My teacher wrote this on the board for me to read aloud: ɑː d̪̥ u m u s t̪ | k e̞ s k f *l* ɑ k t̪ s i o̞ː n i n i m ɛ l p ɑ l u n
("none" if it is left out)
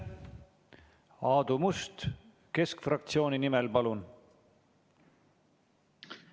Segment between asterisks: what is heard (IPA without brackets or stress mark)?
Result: r